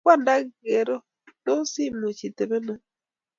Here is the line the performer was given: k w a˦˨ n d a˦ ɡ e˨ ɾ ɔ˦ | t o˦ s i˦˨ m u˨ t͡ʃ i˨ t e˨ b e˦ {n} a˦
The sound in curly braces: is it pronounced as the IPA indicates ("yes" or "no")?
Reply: yes